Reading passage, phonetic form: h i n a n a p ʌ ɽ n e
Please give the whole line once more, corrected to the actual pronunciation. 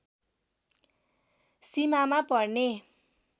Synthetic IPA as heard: s i m a m a p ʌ r n e